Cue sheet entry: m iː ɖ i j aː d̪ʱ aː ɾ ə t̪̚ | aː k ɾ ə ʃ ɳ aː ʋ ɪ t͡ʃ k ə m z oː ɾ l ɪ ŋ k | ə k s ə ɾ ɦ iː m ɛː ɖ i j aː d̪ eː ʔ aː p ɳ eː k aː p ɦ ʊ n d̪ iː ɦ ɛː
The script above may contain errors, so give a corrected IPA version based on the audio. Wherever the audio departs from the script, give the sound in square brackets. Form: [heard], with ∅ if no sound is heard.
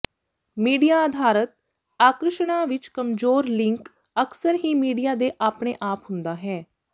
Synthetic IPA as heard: m iː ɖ i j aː d̪ʱ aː ɾ ə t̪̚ | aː k ɾ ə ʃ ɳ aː ʋ ɪ t͡ʃ k ə m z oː ɾ l ɪ ŋ k | ə k s ə ɾ ɦ iː m [iː] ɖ i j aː d̪ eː ʔ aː p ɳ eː [ʔ] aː p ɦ ʊ n d̪ [aː] ɦ ɛː